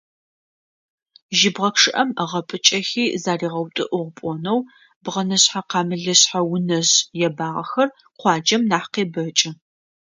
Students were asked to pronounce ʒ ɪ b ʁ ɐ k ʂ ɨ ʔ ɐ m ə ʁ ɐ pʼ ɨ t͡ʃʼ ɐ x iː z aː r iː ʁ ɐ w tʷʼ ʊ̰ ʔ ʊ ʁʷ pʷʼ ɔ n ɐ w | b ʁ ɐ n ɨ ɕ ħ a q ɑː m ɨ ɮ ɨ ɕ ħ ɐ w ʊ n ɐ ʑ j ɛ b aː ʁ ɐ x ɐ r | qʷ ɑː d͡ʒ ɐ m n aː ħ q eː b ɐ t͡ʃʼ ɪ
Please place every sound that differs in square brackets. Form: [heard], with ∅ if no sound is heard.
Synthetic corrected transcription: ʒ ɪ b ʁ ɐ k ʂ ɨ ʔ ɐ m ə ʁ ɐ pʼ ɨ t͡ʃʼ ɐ x iː z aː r iː ʁ ɐ w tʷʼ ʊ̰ ʔ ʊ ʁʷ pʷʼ ɔ n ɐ w | b ʁ ɐ n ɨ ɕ ħ a q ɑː m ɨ ɮ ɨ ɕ ħ [a] w ʊ n ɐ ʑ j ɛ b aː ʁ ɐ x ɐ r | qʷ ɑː d͡ʒ ɐ m n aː ħ q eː b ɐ t͡ʃʼ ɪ